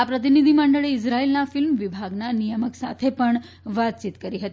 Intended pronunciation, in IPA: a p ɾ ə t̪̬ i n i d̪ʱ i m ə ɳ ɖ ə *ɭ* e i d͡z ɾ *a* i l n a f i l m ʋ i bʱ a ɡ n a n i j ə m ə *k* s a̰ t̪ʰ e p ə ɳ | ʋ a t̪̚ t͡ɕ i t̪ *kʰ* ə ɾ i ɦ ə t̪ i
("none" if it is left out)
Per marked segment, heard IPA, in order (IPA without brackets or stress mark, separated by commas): ɭ, a, k, k